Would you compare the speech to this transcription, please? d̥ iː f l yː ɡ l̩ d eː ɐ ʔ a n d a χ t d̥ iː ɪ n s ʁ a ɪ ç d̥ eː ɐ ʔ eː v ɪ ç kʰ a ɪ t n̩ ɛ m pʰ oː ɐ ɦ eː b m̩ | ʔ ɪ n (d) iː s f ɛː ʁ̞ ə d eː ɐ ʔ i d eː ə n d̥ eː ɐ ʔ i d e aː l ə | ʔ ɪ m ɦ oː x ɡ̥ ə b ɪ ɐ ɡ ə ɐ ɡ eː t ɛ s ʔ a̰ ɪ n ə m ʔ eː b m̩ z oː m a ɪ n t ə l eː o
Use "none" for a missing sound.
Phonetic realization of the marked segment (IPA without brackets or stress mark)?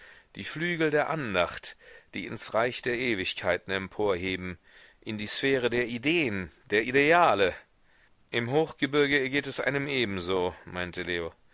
d